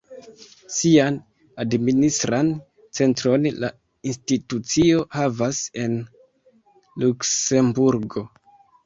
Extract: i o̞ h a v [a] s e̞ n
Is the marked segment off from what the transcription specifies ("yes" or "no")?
no